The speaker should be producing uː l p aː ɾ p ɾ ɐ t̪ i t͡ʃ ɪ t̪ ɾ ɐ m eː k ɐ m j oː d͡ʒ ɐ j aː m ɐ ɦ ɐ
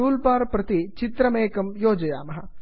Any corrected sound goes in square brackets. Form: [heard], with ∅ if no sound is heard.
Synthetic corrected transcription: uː l p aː ɾ p ɾ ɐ t̪ i t͡ʃ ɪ t̪ ɾ ɐ m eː k ɐ m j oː d͡ʒ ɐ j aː m ɐ ɦ ɐ